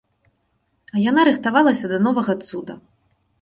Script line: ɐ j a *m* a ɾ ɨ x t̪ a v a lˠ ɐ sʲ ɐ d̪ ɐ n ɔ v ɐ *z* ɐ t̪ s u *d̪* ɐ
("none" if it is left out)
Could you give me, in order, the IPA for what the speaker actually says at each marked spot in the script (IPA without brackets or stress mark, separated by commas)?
n, ɣ, d̪